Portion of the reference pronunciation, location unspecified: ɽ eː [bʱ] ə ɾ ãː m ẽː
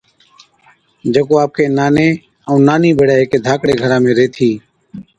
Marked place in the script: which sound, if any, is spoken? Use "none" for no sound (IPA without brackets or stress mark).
ɡʱ